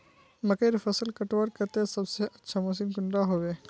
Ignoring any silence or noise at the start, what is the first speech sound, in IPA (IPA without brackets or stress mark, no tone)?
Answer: m